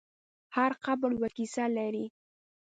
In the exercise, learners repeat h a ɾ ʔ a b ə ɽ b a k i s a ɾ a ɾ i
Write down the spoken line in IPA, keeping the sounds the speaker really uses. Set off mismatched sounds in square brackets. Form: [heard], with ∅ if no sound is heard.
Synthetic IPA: h a ɾ [q] a b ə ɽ [w] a k i s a [l] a ɾ i